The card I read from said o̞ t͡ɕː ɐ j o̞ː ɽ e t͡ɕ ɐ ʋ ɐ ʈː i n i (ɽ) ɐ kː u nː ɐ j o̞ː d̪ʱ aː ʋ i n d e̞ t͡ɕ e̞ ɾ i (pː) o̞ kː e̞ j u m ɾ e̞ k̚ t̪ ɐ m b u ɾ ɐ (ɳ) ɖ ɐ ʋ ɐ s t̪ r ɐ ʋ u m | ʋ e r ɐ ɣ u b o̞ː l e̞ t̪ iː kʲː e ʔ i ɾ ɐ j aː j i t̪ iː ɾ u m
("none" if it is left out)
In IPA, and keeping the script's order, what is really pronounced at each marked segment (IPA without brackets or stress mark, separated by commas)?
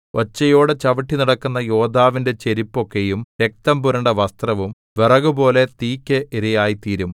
ɽ, pː, ɳ